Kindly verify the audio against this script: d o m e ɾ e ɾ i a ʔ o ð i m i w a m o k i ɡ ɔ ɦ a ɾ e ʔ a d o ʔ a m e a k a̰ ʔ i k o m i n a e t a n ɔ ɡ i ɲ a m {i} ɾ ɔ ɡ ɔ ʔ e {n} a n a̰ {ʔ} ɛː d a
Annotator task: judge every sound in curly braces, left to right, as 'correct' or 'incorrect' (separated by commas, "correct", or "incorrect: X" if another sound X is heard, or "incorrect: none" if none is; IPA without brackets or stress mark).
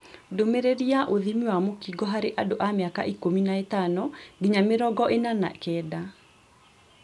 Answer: incorrect: e, correct, incorrect: k